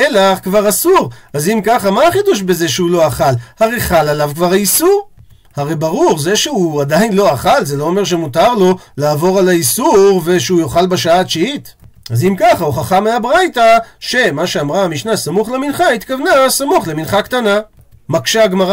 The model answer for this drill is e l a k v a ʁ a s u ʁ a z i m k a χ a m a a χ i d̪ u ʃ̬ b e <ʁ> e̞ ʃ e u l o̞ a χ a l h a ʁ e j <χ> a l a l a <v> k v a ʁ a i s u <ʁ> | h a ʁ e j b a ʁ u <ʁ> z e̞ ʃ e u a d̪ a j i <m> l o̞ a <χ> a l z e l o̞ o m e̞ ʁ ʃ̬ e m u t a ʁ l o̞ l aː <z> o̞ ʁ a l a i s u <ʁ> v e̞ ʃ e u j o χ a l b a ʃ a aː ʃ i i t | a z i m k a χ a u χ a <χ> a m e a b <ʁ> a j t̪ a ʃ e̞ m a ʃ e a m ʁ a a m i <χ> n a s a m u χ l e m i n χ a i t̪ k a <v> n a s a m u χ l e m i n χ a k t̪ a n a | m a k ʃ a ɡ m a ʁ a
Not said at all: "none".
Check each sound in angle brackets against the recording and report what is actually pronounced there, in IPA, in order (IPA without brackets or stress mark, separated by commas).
z, χ, v, ʁ, ʁ, n, χ, v, ʁ, χ, ʁ, ʃ, v